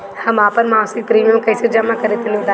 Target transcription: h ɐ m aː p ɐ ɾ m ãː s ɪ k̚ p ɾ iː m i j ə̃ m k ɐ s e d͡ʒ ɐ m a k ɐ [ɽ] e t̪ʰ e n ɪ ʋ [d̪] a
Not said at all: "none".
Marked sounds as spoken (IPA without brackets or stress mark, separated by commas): ɾ, d̪